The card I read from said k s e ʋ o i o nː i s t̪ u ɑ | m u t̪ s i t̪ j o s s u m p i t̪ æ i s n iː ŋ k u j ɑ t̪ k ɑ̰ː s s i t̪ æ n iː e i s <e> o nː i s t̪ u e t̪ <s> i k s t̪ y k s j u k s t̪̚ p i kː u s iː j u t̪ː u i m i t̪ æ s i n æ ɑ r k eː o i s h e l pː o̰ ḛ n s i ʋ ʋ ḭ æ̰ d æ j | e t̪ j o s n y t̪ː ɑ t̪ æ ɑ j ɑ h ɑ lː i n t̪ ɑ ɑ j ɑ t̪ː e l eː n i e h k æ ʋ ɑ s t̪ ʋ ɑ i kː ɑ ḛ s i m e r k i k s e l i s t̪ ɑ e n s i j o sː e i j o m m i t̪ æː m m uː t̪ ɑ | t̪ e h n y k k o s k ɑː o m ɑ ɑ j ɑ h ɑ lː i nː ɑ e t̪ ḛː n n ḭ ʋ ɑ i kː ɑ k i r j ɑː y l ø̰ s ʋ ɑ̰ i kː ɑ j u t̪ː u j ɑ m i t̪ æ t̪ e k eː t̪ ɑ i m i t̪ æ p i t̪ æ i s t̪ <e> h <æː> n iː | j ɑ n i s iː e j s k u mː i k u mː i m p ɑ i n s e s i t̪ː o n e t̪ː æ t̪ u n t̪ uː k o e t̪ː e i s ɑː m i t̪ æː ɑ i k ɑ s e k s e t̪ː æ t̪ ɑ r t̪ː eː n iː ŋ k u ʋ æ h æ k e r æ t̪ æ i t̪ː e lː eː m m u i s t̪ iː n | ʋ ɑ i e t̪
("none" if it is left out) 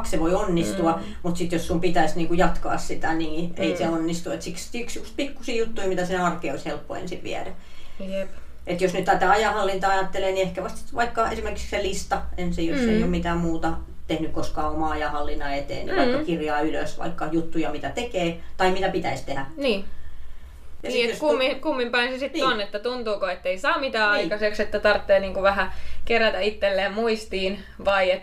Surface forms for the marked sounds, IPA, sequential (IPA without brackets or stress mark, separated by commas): e, s, e, æ